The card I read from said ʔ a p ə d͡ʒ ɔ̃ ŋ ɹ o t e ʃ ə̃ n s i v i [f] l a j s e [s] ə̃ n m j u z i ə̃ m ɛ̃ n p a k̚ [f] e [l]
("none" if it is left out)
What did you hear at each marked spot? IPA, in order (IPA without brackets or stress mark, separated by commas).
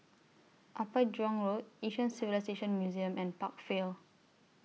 none, ʃ, f, l